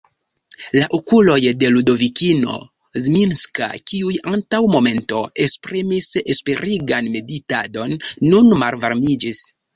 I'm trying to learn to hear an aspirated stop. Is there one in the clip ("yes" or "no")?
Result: no